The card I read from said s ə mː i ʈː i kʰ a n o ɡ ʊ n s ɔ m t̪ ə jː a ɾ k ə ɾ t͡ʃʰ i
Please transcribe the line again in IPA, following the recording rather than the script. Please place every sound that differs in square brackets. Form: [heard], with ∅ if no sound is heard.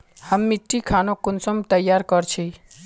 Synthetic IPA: [h] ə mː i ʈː i kʰ a n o [k] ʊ n s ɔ m t̪ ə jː a ɾ k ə ɾ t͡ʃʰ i